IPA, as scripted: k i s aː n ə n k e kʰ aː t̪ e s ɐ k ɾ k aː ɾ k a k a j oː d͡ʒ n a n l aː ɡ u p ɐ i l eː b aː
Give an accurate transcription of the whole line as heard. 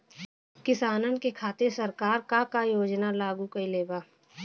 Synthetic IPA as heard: k ɪ s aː n ə n k e kʰ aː t̪ e s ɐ ɾ k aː ɾ k a k a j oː d͡ʒ n a l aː ɡ u k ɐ i l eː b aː